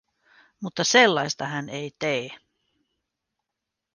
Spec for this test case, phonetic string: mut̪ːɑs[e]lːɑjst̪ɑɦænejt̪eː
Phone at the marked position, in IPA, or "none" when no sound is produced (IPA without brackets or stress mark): e